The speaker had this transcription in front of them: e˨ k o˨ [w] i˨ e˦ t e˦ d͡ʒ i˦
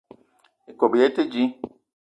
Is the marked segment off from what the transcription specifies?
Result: yes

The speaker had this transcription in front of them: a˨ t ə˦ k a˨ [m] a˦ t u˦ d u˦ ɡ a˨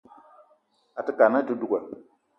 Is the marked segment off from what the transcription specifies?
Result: yes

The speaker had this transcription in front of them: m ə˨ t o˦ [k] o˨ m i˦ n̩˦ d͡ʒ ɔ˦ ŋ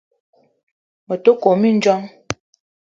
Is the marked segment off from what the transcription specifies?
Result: no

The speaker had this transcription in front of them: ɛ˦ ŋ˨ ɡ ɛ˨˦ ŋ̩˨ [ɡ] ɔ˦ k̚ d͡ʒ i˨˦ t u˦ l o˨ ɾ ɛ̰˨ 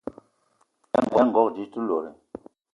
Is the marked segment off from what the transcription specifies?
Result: no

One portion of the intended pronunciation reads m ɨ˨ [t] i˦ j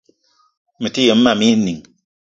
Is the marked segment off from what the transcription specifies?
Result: no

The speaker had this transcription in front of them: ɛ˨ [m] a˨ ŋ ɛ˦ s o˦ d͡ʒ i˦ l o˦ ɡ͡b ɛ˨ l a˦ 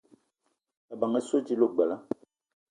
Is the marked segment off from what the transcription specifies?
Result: yes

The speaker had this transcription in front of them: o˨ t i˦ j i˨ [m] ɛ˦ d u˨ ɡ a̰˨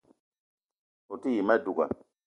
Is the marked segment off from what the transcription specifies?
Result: no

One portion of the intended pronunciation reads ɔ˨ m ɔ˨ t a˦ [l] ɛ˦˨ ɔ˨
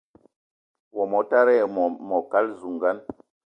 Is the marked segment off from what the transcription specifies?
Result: yes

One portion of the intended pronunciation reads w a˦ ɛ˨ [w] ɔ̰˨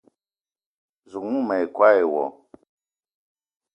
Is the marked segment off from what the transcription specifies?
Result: no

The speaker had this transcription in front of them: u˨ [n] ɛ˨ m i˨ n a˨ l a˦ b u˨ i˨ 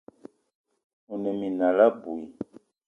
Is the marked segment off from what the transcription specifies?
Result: no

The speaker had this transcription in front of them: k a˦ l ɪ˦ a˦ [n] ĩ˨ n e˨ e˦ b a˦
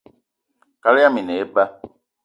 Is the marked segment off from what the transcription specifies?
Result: yes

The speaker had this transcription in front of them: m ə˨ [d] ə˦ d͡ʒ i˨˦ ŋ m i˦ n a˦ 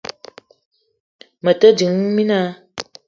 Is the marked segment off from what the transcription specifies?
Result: yes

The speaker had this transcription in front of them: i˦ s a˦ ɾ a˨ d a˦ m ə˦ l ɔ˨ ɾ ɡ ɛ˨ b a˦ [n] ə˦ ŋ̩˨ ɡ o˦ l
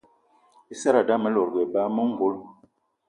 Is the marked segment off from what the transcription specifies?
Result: yes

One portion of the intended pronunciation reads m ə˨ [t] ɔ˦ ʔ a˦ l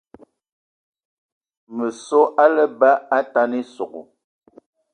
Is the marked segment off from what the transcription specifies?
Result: yes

